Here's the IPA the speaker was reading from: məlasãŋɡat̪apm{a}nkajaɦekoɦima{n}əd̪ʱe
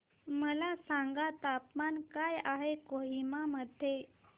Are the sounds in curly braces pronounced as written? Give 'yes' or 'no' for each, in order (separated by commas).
yes, no